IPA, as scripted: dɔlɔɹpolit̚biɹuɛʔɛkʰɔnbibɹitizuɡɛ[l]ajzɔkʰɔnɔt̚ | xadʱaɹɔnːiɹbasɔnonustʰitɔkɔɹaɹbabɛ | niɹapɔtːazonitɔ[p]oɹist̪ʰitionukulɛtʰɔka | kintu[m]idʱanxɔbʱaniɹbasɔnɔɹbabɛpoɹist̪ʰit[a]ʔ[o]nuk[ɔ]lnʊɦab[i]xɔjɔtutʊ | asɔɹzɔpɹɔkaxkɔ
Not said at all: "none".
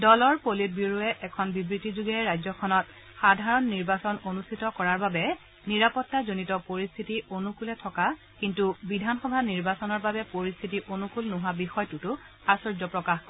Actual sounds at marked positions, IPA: ɹ, p, b, i, o, u, i

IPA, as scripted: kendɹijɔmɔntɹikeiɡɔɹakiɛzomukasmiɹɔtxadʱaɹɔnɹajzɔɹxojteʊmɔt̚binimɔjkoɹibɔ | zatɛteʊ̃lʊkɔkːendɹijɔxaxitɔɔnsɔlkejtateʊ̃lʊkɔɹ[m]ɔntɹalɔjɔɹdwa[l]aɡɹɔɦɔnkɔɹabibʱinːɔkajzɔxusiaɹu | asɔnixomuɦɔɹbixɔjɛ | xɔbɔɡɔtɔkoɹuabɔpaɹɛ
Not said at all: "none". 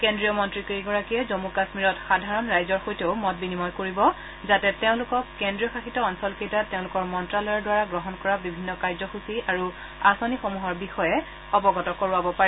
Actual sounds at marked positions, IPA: m, ɹ

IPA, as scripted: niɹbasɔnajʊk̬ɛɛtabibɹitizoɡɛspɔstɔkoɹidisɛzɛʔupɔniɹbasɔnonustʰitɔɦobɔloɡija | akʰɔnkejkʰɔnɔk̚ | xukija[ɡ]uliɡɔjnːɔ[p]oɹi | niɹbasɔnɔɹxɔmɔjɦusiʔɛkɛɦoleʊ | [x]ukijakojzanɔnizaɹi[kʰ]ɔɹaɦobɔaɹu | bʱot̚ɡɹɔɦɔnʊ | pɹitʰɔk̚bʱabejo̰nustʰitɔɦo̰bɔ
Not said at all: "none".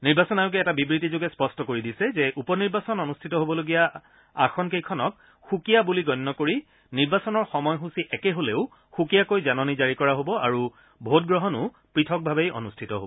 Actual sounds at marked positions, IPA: b, k, x, k

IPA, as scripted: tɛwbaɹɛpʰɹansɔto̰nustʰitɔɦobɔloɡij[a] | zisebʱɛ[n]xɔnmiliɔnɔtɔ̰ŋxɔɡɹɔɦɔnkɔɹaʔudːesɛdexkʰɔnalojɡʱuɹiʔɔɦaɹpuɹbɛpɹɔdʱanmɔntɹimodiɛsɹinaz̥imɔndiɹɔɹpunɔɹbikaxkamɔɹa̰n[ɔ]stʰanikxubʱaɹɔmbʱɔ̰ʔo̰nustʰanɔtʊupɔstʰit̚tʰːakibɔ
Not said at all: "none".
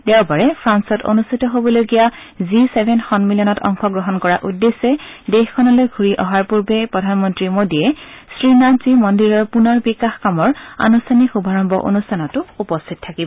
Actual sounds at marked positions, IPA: a, n, u

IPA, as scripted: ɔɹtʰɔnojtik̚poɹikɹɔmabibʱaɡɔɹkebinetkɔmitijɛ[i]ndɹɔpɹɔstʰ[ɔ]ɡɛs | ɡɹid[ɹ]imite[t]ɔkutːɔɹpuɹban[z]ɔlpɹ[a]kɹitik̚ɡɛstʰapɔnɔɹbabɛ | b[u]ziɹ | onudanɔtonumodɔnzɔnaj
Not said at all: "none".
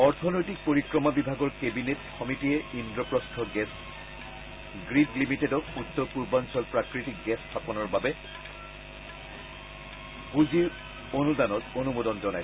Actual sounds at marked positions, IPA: i, ɔ, l, d, s, a, u

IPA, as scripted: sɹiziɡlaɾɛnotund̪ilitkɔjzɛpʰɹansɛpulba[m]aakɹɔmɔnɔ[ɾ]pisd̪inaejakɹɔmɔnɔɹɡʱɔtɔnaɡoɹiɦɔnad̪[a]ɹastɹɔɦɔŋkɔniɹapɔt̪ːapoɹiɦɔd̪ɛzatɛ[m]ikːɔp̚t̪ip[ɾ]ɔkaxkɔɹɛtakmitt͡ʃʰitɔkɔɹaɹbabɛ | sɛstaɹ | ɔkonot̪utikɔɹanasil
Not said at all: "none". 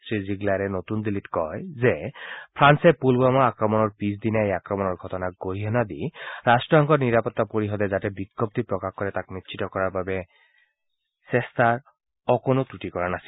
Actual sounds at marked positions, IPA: m, ɹ, i, b, ɹ

